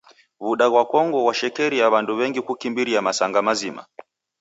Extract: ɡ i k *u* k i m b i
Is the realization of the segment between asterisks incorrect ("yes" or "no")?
no